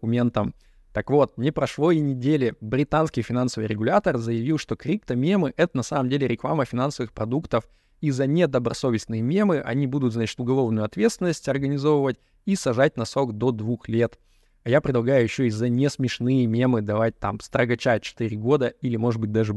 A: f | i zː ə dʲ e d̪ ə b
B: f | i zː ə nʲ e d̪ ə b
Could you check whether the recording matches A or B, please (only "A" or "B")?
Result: B